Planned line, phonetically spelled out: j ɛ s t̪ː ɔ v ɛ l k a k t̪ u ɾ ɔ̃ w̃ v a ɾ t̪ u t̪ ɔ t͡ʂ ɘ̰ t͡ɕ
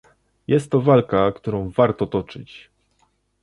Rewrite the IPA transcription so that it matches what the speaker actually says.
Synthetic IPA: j ɛ s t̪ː ɔ v a l k a k t̪ u ɾ ɔ̃ w̃ v a ɾ t̪ ɔ t̪ ɔ t͡ʂ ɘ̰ t͡ɕ

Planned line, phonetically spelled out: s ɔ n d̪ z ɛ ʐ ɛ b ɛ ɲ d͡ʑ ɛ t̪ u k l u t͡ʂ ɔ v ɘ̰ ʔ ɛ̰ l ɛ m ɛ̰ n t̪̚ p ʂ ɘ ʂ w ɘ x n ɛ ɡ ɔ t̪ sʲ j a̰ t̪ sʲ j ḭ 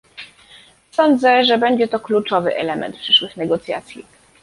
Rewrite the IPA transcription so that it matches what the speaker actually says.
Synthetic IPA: s ɔ n d̪ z ɛ ʐ ɛ b ɛ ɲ d͡ʑ ɛ t̪ ɔ k l u t͡ʂ ɔ v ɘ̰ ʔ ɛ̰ l ɛ m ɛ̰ n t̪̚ p ʂ ɘ ʂ w ɘ x n ɛ ɡ ɔ t̪ sʲ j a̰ t̪ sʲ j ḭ

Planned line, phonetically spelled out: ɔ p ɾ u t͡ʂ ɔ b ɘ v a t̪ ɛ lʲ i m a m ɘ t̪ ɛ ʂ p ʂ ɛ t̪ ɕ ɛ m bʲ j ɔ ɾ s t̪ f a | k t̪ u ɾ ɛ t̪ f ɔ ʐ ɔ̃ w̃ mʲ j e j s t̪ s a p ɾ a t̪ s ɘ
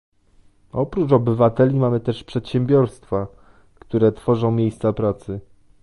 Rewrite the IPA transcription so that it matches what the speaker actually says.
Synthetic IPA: ɔ p ɾ u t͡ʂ ɔ b ɘ v a t̪ ɛ lʲ i m a m ɘ t̪ ɛ ʂ p ʂ ɛ t̪ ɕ ɛ m bʲ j ɔ ɾ s t̪ f a | k t̪ u ɾ ɛ t̪ f ɔ ʐ ɔ̃ w̃ mʲ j e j s t̪ s a p ɾ a t̪ s ɘ

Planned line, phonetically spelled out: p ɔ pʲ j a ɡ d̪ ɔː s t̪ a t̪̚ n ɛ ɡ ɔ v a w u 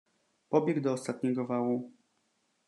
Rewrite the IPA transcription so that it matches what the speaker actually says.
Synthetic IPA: p ɔ bʲ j ɛ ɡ d̪ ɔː s t̪ a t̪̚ ɲ ɛ ɡ ɔ v a w u

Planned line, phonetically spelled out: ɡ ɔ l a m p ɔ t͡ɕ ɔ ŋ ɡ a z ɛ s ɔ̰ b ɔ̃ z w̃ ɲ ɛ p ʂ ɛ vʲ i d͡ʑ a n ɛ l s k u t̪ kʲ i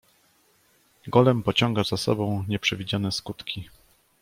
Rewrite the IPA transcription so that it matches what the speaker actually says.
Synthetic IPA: ɡ ɔ l ɛ m p ɔ t͡ɕ ɔ ŋ ɡ a z a s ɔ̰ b ɔ̃ w̃ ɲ ɛ p ʂ ɛ vʲ i d͡ʑ a n ɛ s k u t̪ kʲ i

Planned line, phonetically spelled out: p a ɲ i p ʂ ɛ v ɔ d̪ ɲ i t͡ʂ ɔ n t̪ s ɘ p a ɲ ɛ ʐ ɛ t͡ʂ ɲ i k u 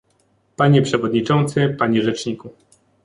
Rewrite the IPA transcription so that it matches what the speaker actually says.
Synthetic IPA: p a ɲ ɛ p ʂ ɛ v ɔ d̪ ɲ i t͡ʂ ɔ n t̪ s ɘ p a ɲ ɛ ʐ ɛ t͡ʂ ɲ i k u

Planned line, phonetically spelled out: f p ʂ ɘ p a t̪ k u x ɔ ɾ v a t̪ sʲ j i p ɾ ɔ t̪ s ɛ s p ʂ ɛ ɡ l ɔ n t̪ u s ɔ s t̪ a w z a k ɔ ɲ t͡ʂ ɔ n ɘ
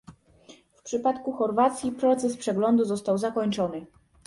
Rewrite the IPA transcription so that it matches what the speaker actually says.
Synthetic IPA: f p ʂ ɘ p a t̪ k u x ɔ ɾ v a t̪ sʲ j i p ɾ ɔ t̪ s ɛ s p ʂ ɛ ɡ l ɔ n d̪ u z ɔ s t̪ a w z a k ɔ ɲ t͡ʂ ɔ n ɘ

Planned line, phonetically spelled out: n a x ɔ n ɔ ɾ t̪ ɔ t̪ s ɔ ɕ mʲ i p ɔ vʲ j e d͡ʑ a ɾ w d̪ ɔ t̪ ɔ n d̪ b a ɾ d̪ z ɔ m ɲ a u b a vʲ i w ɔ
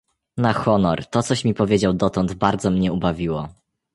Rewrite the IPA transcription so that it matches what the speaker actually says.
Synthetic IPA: n a x ɔ n ɔ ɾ t̪ ɔ t̪ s ɔ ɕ mʲ i p ɔ vʲ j e d͡ʑ a w d̪ ɔ t̪ ɔ n d̪ b a ɾ d̪ z ɔ m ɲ ɛ u b a vʲ i w ɔ

